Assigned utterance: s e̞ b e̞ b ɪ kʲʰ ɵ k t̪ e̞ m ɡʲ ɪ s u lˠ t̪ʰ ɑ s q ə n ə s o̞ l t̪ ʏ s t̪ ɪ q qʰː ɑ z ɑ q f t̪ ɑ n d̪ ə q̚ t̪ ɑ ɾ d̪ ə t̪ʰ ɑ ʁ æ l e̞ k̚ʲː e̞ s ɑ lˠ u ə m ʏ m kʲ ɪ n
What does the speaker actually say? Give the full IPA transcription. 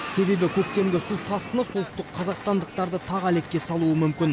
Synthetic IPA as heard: s e̞ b e̞ b ɪ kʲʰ ɵ k t̪ e̞ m ɡʲ ɪ s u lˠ t̪ʰ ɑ s q ə n ə s o̞ l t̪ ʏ s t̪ ɪ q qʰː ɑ z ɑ q s t̪ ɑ n d̪ ə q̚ t̪ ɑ ɾ d̪ ə t̪ʰ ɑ ʁ æ l e̞ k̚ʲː e̞ s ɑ lˠ u ə m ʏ m kʲ ɪ n